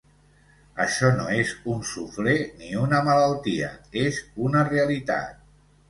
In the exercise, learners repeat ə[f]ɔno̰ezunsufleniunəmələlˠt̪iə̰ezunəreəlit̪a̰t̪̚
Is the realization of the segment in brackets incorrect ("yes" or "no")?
yes